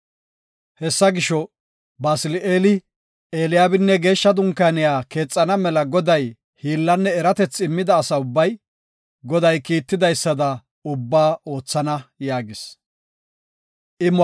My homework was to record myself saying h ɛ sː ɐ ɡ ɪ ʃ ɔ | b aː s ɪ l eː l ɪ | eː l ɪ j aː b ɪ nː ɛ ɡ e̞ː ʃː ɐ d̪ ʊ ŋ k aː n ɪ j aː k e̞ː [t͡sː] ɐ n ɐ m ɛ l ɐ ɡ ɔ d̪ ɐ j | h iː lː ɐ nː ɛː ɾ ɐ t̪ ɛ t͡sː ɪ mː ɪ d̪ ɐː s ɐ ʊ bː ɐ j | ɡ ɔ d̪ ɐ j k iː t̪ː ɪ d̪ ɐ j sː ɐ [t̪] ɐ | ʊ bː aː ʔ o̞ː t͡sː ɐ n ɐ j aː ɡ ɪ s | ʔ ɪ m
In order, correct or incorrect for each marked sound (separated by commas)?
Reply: incorrect, incorrect